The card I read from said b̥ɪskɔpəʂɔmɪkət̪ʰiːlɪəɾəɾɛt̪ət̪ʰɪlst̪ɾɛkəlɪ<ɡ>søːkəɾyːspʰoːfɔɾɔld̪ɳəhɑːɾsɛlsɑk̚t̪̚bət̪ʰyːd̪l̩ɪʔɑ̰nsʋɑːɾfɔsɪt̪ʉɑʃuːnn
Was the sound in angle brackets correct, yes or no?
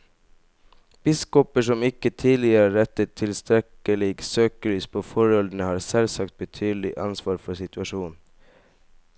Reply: yes